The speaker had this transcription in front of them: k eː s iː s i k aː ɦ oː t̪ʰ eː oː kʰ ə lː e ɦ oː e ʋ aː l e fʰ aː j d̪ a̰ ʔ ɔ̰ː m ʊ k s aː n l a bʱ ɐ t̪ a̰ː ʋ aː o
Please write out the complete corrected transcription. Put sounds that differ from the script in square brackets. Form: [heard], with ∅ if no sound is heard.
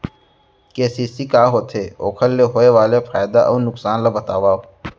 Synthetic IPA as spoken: k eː s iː s i k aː ɦ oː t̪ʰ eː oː kʰ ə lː e ɦ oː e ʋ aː l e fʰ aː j d̪ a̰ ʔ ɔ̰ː [n] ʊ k s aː n l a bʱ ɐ t̪ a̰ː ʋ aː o